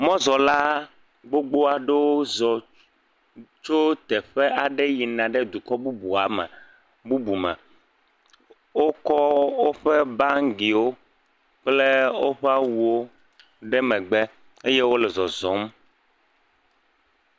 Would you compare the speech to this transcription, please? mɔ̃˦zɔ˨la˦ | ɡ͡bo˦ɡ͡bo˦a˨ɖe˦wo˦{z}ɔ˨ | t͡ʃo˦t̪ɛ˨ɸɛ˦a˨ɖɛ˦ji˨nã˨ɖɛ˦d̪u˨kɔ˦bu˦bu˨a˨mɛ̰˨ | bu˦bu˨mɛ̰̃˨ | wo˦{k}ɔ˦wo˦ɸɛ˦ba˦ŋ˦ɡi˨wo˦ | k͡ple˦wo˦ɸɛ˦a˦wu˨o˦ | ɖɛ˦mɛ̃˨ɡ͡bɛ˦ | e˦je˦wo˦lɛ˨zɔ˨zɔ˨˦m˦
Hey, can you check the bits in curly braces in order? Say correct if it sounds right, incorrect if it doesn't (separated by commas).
correct, correct